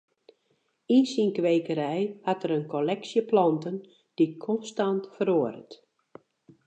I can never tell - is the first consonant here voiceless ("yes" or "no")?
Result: no